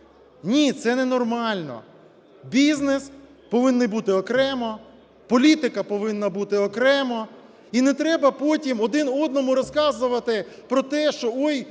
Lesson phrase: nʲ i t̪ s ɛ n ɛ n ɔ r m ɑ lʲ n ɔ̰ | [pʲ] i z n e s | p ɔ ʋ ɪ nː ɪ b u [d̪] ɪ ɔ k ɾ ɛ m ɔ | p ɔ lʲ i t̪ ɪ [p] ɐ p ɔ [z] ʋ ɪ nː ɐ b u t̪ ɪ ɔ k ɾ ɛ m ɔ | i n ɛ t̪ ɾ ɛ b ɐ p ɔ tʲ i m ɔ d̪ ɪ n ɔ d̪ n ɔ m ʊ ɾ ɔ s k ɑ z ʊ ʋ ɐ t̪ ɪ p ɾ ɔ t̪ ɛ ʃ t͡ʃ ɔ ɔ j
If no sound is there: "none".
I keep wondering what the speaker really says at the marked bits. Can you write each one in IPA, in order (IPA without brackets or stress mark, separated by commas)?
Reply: bʲ, t̪, k, none